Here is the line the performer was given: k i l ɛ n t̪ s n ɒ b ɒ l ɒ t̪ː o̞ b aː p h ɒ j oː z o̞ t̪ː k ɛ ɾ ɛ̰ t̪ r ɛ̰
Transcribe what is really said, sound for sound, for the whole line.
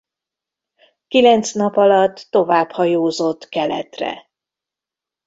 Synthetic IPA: k i l ɛ n t̪ s n ɒ p ɒ l ɒ t̪ː o̞ v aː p h ɒ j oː z o̞ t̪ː k ɛ l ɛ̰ t̪ r ɛ̰